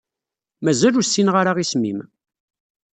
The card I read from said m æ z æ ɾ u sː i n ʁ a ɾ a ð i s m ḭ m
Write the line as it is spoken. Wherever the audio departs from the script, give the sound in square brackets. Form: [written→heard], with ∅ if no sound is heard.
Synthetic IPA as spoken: m æ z æ [ɾ→l] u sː i n ʁ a ɾ a [ð→ʁ] i s m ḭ m